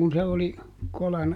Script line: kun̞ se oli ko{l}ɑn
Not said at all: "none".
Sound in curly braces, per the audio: l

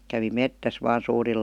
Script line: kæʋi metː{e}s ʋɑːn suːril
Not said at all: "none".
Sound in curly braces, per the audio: æ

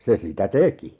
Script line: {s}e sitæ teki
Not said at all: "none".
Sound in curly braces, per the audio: s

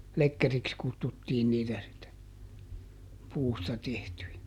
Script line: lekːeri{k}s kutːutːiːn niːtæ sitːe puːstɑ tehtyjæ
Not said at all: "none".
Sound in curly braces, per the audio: k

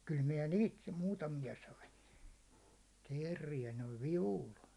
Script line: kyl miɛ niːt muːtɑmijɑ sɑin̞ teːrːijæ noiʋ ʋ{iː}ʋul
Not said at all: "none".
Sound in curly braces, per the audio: i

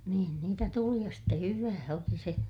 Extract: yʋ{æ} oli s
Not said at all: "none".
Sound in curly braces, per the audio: æː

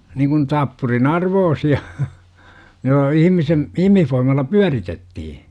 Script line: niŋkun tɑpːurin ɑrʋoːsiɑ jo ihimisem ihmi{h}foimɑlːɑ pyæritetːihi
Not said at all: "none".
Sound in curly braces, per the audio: h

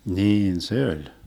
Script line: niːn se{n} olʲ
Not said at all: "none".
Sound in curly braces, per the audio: none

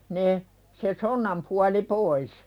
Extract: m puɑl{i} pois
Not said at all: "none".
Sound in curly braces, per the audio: i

